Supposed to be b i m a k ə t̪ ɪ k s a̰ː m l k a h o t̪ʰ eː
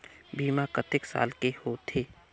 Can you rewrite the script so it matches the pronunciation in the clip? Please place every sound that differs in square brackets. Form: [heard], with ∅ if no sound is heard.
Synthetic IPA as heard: b [iː] m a k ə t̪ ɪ k s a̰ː [∅] l k [e] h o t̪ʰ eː